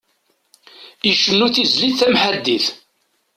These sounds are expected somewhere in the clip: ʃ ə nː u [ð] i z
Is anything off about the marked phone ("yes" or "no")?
yes